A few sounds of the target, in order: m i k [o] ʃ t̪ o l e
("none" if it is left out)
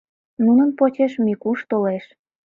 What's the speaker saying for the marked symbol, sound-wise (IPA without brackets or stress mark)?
u